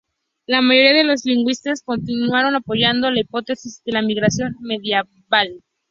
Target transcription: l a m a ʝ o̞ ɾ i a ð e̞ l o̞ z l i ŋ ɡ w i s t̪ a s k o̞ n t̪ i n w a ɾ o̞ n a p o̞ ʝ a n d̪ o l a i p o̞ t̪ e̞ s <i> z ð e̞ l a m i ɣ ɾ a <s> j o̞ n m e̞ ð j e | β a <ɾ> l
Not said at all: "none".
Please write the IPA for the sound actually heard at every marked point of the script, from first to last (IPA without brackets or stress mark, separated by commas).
i, s, none